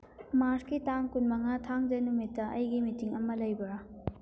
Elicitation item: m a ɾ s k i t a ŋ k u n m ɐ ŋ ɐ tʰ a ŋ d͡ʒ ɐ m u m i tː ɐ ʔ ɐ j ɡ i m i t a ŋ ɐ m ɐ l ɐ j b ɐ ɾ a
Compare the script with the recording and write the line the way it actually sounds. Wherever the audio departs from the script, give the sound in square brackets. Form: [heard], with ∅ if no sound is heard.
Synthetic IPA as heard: m a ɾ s k i t a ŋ k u n m ɐ ŋ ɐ tʰ a ŋ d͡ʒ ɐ [n] u m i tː ɐ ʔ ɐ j ɡ i m i t [i] ŋ ɐ m ɐ l ɐ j b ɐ ɾ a

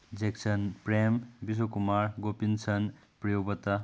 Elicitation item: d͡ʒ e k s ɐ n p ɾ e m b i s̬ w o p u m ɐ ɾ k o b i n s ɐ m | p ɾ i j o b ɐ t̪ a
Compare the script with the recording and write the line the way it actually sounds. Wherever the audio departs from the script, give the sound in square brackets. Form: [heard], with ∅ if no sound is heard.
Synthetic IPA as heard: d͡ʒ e k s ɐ n p ɾ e m b i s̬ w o [k] u m [a] ɾ [ɡ] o [p] i n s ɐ [n] | p ɾ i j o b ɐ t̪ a

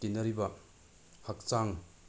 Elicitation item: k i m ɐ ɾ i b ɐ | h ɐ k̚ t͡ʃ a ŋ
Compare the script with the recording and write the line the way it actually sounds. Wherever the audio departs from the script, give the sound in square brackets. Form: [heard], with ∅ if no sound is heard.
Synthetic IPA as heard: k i [n] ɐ ɾ i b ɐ | h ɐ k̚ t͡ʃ a ŋ

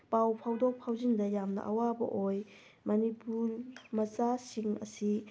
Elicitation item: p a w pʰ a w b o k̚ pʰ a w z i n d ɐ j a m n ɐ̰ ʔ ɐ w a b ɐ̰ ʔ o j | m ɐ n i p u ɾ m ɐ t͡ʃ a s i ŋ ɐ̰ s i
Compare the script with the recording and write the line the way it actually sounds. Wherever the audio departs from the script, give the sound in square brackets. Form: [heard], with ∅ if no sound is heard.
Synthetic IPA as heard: p a w pʰ a w [d] o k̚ pʰ a w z i n d ɐ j a m n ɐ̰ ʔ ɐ w a b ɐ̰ ʔ o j | m ɐ n i p u ɾ m ɐ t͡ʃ a s i ŋ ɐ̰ s i

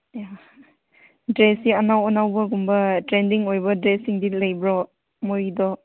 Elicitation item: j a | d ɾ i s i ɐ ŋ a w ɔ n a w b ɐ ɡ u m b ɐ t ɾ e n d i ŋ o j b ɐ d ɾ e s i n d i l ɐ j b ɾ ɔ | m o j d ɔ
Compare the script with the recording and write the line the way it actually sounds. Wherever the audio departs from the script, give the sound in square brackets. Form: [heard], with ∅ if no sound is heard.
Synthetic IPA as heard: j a | d ɾ [e] s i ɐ [n] a w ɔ n a w b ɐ ɡ u m b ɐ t ɾ e n d i ŋ o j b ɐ d ɾ e s i [ŋ] d i l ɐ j b ɾ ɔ | m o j d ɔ

